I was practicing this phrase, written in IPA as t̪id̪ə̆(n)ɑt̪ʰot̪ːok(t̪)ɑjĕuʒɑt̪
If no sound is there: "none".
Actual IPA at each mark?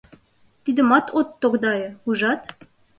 m, d̪

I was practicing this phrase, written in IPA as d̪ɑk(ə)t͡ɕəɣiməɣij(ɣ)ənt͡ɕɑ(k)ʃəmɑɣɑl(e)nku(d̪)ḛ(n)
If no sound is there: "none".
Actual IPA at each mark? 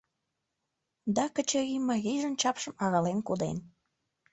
ə, ʒ, p, e, d̪, n

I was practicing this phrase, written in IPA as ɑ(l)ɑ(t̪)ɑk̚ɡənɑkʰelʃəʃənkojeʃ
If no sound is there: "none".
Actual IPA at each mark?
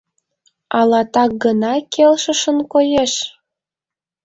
l, t̪

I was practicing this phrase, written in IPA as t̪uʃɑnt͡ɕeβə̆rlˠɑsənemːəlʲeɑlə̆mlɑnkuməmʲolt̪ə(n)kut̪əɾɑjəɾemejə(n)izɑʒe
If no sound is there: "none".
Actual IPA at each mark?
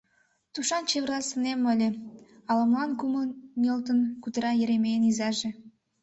n, n

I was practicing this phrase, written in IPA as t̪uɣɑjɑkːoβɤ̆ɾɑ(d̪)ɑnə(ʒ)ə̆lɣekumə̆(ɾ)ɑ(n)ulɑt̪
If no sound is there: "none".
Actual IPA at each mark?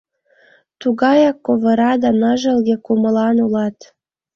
d̪, ʒ, l, n

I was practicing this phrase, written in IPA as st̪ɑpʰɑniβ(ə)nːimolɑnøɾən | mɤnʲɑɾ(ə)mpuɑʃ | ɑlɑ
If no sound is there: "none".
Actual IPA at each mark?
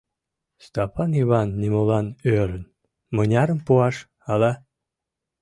ɑ, ə

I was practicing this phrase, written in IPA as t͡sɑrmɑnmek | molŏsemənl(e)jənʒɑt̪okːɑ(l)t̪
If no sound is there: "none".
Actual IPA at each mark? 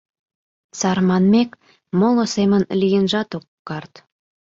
i, r

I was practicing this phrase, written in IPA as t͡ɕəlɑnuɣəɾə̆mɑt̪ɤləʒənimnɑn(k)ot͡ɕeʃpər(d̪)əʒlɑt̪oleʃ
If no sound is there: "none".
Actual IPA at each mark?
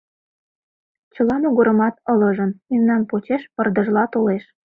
p, d̪

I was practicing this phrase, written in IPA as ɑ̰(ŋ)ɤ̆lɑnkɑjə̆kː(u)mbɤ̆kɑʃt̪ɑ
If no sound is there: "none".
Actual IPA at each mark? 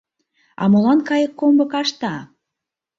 m, o

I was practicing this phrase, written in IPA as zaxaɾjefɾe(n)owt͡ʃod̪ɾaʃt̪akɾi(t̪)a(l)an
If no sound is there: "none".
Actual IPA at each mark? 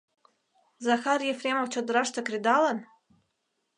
m, d̪, l

